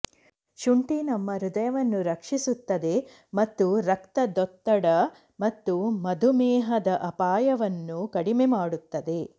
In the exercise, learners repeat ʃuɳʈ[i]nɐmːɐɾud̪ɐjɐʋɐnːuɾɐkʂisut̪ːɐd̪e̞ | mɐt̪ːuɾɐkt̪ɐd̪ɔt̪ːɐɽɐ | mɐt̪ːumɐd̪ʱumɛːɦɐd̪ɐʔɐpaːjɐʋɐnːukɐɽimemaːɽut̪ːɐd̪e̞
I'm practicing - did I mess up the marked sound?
no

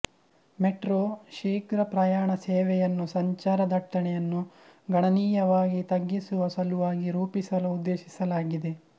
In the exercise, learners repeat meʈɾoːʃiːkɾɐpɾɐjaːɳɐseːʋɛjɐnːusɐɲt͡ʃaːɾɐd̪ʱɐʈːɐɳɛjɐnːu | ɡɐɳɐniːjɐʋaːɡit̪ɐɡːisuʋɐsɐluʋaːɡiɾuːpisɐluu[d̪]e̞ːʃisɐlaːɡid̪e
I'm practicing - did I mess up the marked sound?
yes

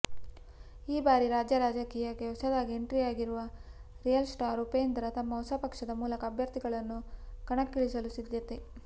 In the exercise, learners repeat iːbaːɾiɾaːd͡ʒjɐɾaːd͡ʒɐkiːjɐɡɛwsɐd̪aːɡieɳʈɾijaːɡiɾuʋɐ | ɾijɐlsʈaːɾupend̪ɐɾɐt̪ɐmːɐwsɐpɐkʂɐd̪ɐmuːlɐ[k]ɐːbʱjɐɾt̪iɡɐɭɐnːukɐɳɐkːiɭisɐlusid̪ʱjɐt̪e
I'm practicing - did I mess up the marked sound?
no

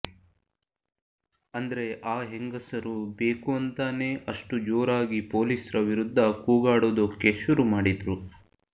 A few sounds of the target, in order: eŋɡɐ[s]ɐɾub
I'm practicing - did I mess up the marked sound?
no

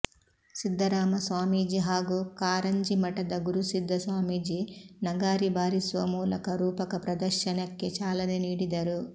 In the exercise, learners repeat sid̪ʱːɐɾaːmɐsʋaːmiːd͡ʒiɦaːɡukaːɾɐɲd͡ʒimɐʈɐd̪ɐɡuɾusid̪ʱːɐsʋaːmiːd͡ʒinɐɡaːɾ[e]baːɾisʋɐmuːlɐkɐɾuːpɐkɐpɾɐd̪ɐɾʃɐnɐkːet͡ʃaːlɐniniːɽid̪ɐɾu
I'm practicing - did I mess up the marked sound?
yes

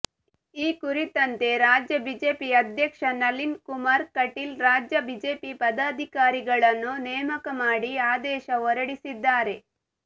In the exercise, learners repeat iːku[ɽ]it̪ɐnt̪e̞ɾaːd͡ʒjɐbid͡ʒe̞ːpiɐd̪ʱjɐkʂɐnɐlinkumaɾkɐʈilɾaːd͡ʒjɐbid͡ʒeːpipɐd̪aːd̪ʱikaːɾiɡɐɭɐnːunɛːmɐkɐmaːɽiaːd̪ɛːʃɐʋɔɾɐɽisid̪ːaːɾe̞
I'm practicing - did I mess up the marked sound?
yes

